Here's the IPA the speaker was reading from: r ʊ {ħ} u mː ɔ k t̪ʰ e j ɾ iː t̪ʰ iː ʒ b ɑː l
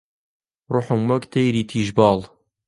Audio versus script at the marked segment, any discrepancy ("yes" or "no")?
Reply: no